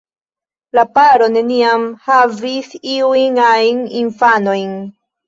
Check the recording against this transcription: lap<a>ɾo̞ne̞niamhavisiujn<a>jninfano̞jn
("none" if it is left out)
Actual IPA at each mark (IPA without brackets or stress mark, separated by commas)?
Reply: a, a